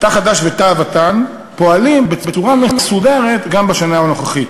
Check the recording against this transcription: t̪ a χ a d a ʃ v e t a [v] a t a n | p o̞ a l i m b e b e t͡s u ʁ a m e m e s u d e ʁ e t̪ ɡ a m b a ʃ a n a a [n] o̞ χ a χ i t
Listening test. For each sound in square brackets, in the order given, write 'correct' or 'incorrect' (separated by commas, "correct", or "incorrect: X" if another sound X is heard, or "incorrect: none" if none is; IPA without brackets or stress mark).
correct, correct